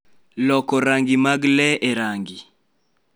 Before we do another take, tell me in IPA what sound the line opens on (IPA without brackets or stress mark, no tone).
l